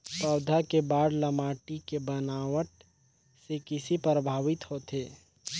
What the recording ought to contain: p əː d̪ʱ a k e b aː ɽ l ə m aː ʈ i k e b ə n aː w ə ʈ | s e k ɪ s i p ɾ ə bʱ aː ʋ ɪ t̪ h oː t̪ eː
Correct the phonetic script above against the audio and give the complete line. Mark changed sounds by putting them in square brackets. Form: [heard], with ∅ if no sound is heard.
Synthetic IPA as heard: p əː d̪ʱ a k e b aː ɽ l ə m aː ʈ i k e b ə n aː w ə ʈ | s e k ɪ s i p ɾ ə bʱ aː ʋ ɪ t̪ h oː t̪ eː